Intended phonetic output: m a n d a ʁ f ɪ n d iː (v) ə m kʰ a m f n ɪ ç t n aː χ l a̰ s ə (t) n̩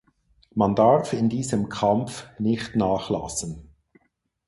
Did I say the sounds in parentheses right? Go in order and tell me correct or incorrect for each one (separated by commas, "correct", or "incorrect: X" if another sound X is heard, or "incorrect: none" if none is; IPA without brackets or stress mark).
incorrect: z, incorrect: none